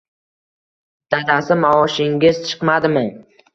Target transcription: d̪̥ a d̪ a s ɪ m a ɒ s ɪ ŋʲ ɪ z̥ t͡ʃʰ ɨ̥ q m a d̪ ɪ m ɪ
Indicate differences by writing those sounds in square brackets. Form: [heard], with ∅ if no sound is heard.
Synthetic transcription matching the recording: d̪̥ a d̪ a s ɪ m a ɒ [ʃ] ɪ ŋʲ ɪ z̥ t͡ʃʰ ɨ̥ q m a d̪ ɪ m ɪ